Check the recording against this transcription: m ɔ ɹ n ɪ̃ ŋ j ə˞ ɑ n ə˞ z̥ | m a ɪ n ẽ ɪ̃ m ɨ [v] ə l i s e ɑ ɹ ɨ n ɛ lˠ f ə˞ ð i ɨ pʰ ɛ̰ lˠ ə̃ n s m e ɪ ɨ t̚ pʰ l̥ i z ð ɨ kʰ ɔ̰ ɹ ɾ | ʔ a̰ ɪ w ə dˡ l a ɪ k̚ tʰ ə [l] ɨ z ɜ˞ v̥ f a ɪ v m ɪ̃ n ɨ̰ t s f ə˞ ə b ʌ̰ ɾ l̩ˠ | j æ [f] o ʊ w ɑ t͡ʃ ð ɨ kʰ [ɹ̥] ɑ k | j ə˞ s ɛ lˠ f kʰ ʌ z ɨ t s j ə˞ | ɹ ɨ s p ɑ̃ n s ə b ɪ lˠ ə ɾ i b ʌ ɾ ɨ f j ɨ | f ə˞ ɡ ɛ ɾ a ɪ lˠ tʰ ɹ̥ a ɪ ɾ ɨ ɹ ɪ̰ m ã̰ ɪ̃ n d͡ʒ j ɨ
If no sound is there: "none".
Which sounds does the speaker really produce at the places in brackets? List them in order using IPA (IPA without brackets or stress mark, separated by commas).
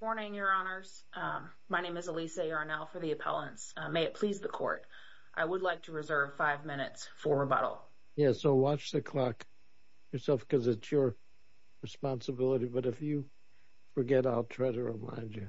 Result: z, ɹ, s, l̥